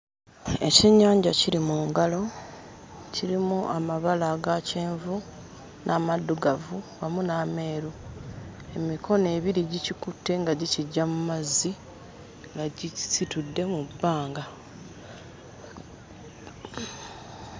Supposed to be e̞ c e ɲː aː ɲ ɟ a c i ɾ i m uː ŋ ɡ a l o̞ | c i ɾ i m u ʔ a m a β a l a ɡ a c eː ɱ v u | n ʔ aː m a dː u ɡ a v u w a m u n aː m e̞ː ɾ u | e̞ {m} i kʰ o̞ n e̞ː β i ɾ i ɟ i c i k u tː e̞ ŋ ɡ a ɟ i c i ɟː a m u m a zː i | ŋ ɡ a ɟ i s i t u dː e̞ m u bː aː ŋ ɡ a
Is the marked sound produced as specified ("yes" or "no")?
yes